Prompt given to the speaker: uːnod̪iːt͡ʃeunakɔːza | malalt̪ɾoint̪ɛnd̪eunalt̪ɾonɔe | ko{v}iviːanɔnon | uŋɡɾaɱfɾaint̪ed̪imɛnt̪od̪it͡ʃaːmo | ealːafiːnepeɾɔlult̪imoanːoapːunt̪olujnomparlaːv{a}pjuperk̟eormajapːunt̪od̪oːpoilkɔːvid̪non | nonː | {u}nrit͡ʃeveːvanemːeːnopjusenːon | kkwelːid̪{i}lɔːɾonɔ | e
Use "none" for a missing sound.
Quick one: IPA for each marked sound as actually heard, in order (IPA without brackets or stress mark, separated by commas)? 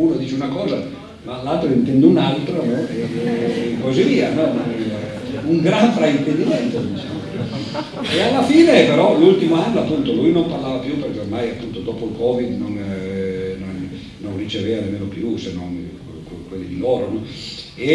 z, a, o, i